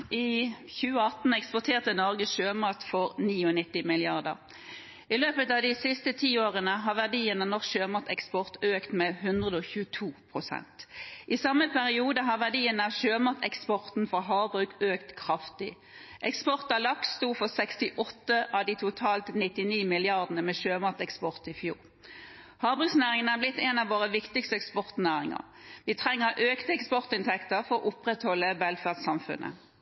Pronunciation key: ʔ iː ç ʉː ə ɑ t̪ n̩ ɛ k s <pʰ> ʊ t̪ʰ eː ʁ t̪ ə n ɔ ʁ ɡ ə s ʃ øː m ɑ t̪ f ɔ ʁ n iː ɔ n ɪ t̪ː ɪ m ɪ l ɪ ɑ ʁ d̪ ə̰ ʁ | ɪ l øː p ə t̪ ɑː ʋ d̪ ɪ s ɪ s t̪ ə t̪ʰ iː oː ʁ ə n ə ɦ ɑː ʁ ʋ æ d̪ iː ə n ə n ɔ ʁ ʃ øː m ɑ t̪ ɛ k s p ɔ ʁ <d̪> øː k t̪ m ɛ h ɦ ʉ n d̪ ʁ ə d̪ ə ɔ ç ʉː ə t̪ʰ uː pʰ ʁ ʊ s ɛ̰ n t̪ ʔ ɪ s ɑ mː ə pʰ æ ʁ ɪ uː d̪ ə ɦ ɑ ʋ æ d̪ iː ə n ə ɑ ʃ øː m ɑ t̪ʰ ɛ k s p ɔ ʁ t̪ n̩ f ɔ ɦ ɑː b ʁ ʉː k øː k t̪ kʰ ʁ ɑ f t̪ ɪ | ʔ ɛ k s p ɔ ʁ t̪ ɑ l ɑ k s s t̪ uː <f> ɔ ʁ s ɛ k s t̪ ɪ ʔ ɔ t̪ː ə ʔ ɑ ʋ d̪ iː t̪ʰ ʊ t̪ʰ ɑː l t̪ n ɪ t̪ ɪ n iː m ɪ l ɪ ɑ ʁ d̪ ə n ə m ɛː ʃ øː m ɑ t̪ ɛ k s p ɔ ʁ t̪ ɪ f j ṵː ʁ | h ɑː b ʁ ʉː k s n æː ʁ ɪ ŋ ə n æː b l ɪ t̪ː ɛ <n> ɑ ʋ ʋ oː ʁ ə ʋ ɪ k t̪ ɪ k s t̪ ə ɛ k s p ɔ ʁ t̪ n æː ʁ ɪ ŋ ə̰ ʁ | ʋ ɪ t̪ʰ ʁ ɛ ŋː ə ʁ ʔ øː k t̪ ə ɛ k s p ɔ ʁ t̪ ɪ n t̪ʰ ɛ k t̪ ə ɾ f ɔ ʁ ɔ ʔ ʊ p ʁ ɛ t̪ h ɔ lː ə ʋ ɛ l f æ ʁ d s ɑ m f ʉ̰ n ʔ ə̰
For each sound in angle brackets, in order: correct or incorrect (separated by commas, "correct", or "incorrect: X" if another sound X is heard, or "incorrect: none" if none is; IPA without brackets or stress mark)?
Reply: incorrect: p, incorrect: t̪, correct, correct